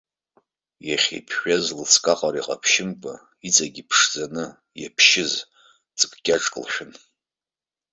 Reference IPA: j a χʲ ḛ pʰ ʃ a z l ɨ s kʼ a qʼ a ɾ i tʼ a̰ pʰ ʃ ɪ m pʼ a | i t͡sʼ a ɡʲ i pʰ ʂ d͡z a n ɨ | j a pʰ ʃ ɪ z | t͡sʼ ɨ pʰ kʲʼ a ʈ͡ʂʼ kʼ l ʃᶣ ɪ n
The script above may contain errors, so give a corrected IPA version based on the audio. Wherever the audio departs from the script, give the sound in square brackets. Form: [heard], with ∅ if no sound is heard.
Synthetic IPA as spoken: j a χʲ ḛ pʰ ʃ a z l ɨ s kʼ a qʼ a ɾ i [qʼ] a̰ pʰ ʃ ɪ m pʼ a | i t͡sʼ a ɡʲ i pʰ ʂ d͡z a n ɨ | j a pʰ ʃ ɪ z | t͡sʼ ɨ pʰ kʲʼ a ʈ͡ʂʼ kʼ l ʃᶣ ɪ n